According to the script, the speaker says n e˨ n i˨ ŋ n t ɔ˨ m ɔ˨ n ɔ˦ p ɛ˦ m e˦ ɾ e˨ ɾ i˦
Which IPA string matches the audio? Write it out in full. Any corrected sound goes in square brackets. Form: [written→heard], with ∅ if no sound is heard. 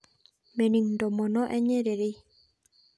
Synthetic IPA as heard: [n→m] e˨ n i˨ ŋ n [t→d] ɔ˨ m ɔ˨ n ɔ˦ [p→ʔ] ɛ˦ [m→ɲ] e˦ ɾ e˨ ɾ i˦